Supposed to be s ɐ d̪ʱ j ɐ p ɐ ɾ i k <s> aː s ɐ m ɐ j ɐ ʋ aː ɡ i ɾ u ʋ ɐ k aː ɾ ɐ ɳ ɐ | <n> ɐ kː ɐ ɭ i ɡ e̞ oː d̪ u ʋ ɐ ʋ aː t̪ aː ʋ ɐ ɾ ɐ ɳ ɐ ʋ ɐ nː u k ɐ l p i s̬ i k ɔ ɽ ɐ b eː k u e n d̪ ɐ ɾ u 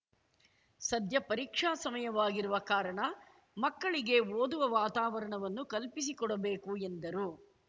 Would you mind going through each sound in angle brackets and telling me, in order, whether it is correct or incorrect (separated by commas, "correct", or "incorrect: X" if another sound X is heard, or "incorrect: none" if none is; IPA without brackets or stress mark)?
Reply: incorrect: ʂ, incorrect: m